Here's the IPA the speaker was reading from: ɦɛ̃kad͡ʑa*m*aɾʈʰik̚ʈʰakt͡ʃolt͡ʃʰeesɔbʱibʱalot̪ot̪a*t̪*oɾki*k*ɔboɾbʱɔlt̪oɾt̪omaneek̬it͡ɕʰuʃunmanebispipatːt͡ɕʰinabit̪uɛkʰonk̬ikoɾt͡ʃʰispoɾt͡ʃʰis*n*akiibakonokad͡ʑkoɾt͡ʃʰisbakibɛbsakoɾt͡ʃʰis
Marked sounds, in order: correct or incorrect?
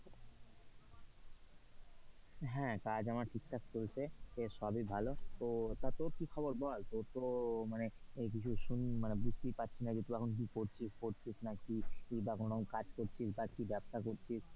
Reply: correct, correct, incorrect, correct

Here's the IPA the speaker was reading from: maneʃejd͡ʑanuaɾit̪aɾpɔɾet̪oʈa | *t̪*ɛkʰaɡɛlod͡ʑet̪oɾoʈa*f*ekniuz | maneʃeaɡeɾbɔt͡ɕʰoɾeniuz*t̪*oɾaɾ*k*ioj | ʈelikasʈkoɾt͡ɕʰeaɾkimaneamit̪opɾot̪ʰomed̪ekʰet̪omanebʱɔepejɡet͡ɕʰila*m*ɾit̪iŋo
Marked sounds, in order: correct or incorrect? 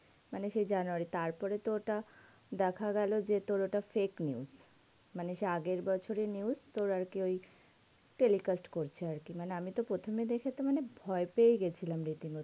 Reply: incorrect, correct, correct, correct, correct

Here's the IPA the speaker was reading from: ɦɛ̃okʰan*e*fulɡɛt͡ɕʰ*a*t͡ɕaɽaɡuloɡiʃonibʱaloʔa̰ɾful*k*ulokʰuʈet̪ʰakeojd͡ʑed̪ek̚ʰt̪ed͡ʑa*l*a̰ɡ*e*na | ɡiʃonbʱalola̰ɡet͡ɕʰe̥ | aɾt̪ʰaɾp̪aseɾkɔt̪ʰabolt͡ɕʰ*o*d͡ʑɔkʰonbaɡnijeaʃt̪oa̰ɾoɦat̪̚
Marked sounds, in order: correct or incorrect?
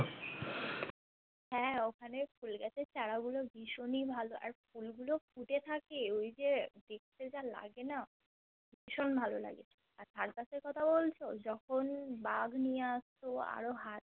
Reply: correct, incorrect, incorrect, correct, correct, correct

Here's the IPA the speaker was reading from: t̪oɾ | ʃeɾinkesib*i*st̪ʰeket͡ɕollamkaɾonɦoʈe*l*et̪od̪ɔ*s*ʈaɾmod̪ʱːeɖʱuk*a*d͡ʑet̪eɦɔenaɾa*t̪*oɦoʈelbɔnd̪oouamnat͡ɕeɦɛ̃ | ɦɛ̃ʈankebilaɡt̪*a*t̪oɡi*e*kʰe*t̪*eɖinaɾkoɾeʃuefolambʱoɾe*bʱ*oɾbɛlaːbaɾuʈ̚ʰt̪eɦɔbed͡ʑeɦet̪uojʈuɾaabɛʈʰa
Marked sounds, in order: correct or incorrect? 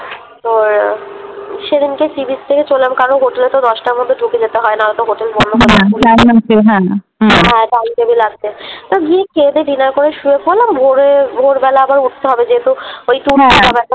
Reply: correct, correct, incorrect, incorrect, correct, incorrect, correct, incorrect, correct

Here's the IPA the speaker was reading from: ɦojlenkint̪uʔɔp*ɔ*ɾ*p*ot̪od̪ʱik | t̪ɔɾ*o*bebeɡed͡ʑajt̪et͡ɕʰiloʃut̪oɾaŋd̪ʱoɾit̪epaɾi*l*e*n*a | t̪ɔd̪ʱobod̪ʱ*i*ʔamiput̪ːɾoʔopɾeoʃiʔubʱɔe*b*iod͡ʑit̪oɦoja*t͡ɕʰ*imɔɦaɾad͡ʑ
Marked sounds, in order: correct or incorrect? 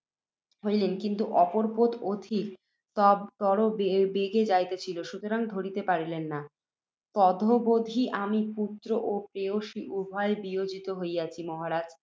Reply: incorrect, correct, correct, correct, incorrect, correct, correct, correct

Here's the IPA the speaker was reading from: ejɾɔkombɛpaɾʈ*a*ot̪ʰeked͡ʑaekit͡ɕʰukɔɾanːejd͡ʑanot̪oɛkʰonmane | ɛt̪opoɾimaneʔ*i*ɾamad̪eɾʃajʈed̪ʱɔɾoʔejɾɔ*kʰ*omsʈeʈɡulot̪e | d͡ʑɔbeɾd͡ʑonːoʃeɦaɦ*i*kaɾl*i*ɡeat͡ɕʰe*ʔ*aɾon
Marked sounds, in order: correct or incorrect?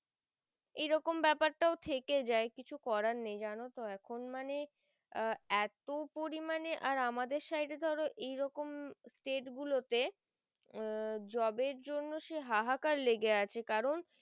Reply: correct, incorrect, incorrect, incorrect, incorrect, incorrect

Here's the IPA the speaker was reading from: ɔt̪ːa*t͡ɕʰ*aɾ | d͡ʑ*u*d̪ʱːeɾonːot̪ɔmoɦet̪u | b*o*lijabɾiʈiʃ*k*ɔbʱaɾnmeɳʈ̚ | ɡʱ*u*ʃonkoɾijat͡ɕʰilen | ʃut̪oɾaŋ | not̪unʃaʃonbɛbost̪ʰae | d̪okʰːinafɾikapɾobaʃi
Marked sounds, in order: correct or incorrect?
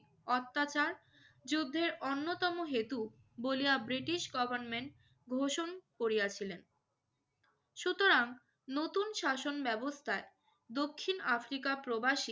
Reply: incorrect, correct, correct, incorrect, incorrect

